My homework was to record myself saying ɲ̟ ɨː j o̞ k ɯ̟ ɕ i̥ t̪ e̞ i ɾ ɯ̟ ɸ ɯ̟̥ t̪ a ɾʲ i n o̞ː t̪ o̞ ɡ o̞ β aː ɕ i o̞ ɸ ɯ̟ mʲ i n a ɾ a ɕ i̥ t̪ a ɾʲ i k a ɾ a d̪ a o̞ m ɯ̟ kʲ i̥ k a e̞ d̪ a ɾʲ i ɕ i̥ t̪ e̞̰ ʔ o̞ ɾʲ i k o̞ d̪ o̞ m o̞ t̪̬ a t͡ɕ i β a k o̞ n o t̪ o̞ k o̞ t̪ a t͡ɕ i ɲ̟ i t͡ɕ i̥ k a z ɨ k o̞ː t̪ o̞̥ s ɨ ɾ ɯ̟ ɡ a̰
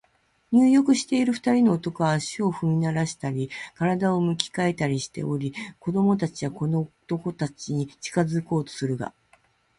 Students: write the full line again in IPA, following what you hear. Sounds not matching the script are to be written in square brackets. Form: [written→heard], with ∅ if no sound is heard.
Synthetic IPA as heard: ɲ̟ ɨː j o̞ k ɯ̟ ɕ i̥ t̪ e̞ i ɾ ɯ̟ ɸ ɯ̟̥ t̪ a ɾʲ i n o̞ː t̪ o̞ [ɡ→k] o̞ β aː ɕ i o̞ ɸ ɯ̟ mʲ i n a ɾ a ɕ i̥ t̪ a ɾʲ i k a ɾ a d̪ a o̞ m ɯ̟ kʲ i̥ k a e̞ [d̪→t̪] a ɾʲ i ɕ i̥ t̪ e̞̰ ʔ o̞ ɾʲ i k o̞ d̪ o̞ m o̞ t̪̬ a t͡ɕ i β a k o̞ n o t̪ o̞ k o̞ t̪ a t͡ɕ i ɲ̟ i t͡ɕ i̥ k a z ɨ k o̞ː t̪ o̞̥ s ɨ ɾ ɯ̟ ɡ a̰